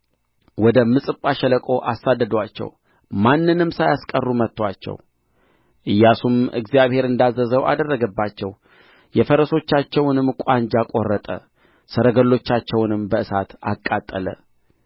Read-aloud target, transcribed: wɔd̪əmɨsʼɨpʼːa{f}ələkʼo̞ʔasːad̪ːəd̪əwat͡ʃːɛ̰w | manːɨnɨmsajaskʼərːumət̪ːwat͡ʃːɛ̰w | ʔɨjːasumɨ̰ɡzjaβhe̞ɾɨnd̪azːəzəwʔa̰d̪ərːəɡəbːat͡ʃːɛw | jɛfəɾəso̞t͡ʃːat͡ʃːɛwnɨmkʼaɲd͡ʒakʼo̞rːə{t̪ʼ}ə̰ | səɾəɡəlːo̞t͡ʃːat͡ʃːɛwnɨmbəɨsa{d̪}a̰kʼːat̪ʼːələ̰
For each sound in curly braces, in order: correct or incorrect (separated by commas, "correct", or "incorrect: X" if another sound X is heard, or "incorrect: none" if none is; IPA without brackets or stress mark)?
incorrect: ʃ, correct, incorrect: t̪